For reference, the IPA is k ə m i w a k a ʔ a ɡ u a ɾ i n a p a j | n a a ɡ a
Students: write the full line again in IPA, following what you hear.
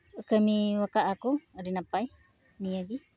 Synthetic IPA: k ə m i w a k a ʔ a k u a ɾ i n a p a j | n i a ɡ i